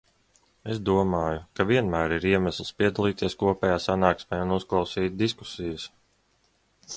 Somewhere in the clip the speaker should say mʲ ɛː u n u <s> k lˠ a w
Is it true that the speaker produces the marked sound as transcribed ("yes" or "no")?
yes